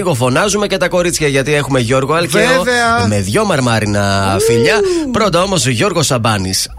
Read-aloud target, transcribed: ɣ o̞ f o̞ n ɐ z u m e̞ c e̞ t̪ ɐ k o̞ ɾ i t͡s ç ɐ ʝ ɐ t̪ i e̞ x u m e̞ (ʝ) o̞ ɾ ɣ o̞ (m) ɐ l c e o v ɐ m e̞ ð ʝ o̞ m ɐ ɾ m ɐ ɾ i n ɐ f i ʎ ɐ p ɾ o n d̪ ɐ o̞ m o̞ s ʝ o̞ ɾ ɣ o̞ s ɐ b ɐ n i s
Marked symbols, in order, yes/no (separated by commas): yes, no